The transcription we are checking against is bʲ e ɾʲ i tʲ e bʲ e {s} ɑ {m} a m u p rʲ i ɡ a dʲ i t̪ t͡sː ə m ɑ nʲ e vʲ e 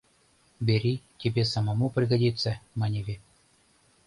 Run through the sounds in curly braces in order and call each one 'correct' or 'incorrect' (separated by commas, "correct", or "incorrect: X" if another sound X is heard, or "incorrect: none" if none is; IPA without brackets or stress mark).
correct, correct